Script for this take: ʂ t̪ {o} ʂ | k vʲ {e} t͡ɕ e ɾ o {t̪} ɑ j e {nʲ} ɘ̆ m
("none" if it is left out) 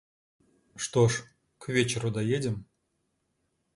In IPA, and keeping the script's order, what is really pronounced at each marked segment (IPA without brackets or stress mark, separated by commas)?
o, e, d̪, dʲ